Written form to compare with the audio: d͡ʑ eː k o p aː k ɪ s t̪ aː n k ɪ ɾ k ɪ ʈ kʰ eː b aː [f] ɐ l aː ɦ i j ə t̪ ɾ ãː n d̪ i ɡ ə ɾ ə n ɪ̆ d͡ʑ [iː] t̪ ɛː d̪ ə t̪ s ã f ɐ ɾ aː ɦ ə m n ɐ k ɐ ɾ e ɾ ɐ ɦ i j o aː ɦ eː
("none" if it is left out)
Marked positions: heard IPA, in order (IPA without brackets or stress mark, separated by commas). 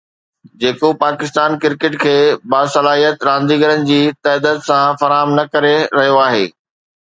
s, iː